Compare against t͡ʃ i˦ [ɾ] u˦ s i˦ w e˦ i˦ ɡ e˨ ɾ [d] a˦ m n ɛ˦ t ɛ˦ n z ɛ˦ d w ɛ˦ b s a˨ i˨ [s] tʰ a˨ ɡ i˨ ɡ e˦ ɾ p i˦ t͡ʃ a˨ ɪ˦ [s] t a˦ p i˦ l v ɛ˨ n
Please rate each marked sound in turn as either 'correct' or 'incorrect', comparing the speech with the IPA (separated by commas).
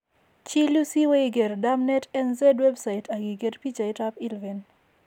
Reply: incorrect, correct, incorrect, incorrect